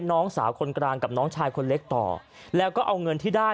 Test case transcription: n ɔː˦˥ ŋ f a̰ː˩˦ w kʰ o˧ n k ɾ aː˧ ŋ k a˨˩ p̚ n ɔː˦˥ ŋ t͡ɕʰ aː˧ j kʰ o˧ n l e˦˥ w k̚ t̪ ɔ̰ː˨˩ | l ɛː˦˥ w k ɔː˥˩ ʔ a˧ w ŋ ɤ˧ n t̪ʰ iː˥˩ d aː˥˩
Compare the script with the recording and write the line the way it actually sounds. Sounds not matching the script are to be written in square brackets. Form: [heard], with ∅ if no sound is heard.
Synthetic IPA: n ɔː˦˥ ŋ [s] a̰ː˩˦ w kʰ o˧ n k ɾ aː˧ ŋ k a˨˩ p̚ n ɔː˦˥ ŋ t͡ɕʰ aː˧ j kʰ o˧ n l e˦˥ [∅] k̚ t̪ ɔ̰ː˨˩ | l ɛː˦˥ w k ɔː˥˩ ʔ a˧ w ŋ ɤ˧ n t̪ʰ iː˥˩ d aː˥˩